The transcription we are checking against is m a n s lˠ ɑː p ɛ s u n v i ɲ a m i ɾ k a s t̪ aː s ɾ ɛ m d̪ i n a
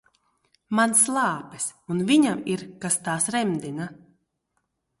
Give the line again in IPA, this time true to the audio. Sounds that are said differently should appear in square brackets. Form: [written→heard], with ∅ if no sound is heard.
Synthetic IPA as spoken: m a n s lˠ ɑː p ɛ s u n v i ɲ a m i ɾ k a s t̪ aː s ɾ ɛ m d̪ i n a